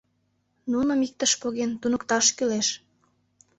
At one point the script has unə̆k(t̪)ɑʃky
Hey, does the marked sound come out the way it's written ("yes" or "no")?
yes